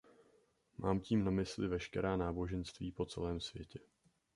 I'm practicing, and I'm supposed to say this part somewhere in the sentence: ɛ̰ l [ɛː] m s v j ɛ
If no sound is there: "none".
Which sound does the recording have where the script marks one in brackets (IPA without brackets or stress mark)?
ɛː